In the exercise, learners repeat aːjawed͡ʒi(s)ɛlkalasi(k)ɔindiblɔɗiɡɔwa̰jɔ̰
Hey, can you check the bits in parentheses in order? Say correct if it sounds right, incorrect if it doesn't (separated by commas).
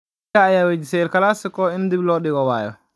correct, correct